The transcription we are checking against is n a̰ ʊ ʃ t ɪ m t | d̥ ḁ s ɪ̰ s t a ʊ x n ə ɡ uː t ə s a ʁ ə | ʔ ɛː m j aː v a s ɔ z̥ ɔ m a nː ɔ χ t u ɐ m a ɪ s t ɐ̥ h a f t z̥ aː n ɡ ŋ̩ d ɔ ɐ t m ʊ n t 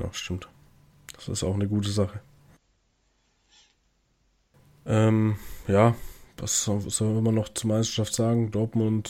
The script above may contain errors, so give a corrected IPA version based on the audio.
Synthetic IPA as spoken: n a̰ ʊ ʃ t ɪ m t | d̥ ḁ s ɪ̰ s t a ʊ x n ə ɡ uː t ə z a χ ə | ʔ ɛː m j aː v a s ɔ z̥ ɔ m a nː ɔ χ t͡s u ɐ m a ɪ s t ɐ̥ ʃ a f t z̥ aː ɡ ŋ̩ d ɔ ɐ t m ʊ n t